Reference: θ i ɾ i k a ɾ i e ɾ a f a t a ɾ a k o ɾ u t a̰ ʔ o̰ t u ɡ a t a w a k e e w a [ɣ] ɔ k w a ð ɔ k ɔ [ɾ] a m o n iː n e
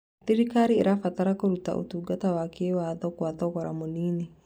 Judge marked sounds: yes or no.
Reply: no, yes

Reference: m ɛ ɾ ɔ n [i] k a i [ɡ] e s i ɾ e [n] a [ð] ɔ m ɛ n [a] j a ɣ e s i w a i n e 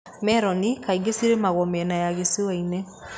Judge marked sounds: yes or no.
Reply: yes, yes, no, no, yes

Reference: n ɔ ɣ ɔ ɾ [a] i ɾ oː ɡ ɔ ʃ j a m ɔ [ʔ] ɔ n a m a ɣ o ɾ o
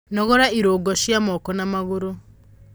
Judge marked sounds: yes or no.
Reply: yes, no

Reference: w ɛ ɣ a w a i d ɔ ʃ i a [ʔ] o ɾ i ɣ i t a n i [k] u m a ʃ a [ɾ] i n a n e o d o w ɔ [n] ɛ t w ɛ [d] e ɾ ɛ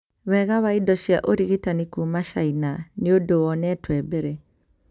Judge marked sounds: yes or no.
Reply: yes, yes, no, yes, no

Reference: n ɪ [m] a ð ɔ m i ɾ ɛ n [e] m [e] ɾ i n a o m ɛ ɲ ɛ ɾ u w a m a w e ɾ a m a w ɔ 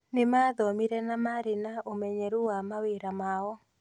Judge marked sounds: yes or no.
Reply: yes, no, no

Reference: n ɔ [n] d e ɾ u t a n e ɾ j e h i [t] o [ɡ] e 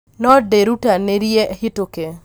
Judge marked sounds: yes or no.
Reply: no, yes, no

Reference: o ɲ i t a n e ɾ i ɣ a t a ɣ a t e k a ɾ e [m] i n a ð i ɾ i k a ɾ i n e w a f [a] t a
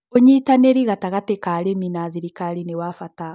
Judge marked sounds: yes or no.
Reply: yes, yes

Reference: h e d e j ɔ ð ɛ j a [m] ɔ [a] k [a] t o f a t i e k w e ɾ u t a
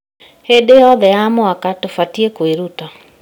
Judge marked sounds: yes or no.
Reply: yes, yes, yes

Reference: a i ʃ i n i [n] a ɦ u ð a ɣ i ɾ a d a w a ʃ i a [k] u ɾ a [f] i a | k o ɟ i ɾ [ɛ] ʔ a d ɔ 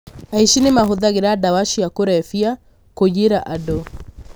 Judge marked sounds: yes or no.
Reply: no, yes, yes, no

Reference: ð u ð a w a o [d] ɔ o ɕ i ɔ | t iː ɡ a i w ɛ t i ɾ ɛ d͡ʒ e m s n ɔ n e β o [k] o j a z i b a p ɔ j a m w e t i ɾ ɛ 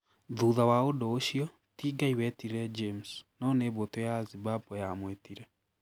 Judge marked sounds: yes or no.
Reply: yes, no

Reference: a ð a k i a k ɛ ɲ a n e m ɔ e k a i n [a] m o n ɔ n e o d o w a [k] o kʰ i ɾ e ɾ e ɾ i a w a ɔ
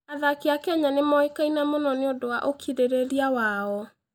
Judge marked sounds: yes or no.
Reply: yes, no

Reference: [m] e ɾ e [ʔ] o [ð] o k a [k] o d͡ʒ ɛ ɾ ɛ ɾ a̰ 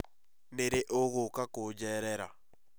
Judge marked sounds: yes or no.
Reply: no, yes, no, yes

